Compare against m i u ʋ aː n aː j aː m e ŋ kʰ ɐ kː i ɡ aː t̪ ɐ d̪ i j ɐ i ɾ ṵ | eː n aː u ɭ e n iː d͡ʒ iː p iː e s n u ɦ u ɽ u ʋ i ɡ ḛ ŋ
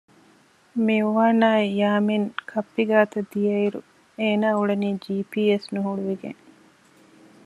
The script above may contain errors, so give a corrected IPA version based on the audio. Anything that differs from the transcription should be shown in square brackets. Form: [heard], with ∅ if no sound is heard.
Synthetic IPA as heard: m i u ʋ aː n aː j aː m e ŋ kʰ ɐ [pː] i ɡ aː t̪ ɐ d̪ i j ɐ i ɾ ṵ | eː n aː u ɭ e n iː d͡ʒ iː p iː e s n u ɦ u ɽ u ʋ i ɡ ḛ ŋ